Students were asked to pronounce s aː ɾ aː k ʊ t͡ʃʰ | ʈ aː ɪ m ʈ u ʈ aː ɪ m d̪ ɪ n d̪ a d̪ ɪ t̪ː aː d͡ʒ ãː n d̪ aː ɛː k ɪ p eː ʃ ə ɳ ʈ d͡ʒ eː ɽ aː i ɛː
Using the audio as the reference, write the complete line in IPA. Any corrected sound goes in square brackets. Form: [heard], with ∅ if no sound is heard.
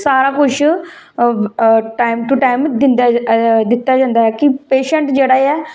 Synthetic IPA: s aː ɾ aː k ʊ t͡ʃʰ | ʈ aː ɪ m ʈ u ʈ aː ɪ m d̪ ɪ n d̪ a d̪ ɪ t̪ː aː d͡ʒ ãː n d̪ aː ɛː k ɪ p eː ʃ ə ɳ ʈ d͡ʒ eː ɽ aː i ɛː

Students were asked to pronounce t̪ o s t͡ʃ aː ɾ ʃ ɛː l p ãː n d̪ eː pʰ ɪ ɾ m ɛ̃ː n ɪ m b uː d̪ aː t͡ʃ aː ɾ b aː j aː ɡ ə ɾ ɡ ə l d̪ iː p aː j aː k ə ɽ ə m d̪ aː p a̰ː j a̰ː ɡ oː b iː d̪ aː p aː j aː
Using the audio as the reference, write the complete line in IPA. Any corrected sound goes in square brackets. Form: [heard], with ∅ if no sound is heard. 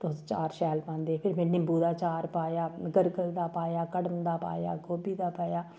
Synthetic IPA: t̪ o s t͡ʃ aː ɾ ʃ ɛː l p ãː n d̪ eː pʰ ɪ ɾ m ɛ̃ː n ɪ m b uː d̪ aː t͡ʃ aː ɾ [p] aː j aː ɡ ə ɾ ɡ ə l d̪ [aː] p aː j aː k ə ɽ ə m d̪ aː p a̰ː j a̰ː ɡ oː b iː d̪ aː p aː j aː

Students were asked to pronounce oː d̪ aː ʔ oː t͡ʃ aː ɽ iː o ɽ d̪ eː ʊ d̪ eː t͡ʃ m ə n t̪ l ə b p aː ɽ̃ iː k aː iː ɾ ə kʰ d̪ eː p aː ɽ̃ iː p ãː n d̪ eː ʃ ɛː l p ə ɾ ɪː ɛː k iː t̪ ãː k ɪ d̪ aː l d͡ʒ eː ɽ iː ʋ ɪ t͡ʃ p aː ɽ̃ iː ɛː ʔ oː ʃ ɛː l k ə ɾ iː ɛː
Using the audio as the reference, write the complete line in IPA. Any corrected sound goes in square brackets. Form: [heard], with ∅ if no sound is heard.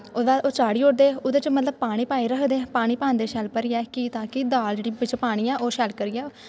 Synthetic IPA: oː d̪ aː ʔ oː t͡ʃ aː ɽ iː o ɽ d̪ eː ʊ d̪ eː t͡ʃ m ə [∅] t̪ l ə b p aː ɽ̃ iː [p] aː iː ɾ ə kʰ d̪ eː p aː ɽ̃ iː p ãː n d̪ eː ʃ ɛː l p ə ɾ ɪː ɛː k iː t̪ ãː k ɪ d̪ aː l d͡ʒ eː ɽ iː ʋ ɪ t͡ʃ p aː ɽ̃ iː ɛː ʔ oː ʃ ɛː l k ə ɾ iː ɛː

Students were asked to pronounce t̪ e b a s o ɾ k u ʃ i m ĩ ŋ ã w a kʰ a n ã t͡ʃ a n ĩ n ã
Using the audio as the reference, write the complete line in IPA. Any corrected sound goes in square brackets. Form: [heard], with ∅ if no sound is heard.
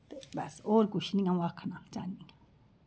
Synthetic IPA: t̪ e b a s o ɾ k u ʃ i [n] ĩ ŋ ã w a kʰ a n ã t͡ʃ a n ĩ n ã

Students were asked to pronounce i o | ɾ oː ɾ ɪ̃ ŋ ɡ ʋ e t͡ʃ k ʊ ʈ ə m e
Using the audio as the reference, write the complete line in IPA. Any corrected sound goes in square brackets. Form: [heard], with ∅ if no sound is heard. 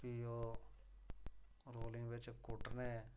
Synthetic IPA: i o | ɾ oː [l] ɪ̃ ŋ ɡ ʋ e t͡ʃ k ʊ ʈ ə [n] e

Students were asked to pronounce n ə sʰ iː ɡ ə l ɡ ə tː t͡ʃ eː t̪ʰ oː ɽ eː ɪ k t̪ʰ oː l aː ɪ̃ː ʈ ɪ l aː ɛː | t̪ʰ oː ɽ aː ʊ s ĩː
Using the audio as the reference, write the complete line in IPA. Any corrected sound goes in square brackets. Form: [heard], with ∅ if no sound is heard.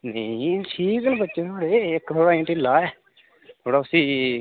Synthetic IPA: n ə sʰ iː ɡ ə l [b] ə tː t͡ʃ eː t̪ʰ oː ɽ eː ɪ k t̪ʰ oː [ɽ] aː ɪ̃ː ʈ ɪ l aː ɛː | t̪ʰ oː ɽ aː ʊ s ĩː

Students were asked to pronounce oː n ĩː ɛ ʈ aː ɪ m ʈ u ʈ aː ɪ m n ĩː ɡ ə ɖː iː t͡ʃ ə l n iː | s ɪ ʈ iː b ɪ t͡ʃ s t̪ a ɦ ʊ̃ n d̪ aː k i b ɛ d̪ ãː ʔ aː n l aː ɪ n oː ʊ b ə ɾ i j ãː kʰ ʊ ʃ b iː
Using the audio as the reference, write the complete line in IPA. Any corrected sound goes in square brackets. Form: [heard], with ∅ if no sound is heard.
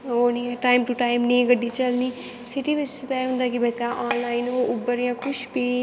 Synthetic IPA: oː n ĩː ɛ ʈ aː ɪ m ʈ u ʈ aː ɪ m n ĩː ɡ ə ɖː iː t͡ʃ ə l n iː | s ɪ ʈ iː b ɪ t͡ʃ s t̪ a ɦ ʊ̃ n d̪ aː k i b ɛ [t̪] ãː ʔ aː n l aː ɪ n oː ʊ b ə ɾ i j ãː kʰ ʊ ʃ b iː

